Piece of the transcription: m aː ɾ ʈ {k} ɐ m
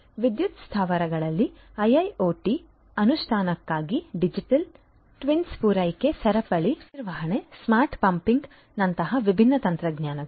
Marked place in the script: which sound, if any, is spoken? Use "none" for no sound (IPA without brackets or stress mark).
p